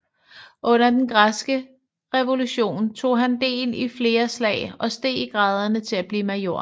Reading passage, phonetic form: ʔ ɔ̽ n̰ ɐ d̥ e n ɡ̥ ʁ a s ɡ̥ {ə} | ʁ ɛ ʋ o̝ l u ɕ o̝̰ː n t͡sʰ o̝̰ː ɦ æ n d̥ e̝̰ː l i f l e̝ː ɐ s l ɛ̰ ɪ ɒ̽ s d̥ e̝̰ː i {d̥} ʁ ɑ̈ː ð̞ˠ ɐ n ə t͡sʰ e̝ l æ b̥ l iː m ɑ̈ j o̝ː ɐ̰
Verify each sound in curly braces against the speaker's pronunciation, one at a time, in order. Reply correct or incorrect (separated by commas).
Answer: correct, incorrect